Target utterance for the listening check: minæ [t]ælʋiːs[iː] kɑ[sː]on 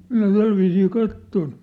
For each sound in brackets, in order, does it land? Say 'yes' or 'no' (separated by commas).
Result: yes, yes, no